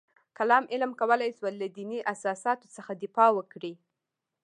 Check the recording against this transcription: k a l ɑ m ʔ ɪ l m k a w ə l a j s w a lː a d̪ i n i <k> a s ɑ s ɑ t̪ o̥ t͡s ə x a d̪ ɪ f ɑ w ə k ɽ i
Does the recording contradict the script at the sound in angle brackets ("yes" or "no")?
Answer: yes